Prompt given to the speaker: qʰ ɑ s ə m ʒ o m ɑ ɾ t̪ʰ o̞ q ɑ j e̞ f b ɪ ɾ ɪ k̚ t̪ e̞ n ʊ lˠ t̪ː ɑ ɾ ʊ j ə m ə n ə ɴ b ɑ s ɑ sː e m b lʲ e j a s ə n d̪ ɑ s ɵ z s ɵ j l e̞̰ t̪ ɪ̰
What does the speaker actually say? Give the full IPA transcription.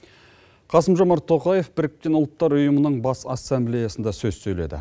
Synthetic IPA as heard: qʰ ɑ s ə m ʒ o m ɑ ɾ t̪ʰ o̞ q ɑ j e̞ f b ɪ ɾ ɪ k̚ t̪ e̞ n ʊ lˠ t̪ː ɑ ɾ ʊ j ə m ə n ə ɴ b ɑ s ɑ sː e m b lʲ e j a s ə n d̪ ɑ s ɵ z s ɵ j l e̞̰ d̪ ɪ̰